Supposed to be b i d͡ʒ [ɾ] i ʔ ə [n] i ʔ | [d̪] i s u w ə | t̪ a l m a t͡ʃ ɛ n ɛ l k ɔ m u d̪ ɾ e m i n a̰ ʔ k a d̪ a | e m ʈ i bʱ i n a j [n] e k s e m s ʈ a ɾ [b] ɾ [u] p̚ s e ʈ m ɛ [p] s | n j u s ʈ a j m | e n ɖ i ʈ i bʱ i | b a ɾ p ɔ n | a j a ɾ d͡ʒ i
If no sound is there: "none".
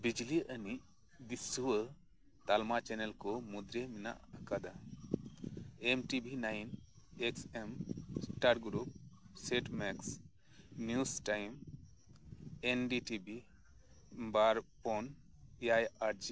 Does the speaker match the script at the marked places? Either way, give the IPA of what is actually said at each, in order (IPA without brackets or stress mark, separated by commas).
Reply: l, n, d̪, n, ɡ, u, k